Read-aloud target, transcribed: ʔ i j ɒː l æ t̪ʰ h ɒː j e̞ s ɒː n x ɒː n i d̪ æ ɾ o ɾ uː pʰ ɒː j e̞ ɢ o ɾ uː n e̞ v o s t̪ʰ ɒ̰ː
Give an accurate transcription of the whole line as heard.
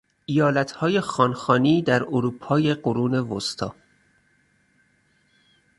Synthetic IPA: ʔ i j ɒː l æ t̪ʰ h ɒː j e̞ x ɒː n x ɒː n iː d̪ æ ɾ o ɾ uː pʰ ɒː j e̞ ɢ o ɾ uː n e̞ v o s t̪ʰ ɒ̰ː